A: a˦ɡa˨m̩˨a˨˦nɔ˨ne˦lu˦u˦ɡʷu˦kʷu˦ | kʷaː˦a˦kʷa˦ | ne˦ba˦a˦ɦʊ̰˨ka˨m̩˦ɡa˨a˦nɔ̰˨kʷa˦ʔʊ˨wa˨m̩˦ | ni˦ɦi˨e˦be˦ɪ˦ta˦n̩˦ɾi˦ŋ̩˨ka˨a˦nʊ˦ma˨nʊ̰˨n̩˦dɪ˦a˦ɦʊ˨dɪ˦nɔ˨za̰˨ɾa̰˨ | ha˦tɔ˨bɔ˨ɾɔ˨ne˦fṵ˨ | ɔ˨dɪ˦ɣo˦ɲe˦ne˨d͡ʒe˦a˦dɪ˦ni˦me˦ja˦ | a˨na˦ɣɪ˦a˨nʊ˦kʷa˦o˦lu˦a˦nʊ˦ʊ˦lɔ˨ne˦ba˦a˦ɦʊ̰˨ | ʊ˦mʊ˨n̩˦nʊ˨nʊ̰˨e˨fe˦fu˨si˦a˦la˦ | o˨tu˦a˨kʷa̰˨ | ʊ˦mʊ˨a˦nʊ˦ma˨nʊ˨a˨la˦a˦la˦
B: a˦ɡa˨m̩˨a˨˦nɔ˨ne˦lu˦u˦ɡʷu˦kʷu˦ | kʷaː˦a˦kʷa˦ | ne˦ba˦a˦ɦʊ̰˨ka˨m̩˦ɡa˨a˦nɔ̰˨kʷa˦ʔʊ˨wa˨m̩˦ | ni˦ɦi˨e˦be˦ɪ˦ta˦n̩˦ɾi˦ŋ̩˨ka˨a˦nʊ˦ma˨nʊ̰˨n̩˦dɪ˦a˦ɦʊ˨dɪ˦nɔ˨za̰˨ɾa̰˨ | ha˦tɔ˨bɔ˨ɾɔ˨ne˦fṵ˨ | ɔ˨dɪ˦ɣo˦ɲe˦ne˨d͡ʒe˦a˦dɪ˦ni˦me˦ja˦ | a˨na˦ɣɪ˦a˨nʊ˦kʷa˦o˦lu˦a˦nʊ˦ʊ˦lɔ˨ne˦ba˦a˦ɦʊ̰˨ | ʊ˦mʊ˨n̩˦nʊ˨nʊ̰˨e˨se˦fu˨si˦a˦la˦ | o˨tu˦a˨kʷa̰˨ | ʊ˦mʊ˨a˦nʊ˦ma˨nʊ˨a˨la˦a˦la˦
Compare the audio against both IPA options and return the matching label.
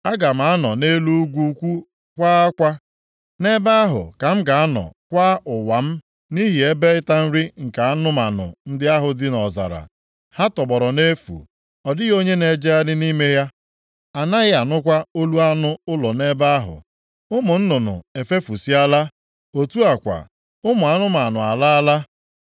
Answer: A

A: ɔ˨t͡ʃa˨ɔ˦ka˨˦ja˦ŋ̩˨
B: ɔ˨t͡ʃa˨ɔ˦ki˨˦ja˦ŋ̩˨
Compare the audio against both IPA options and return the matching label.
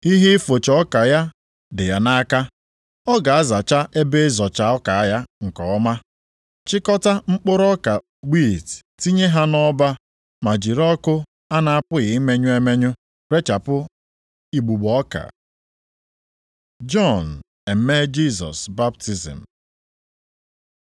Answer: A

